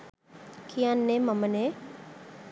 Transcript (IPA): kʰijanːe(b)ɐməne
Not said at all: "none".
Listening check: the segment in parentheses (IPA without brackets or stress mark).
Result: m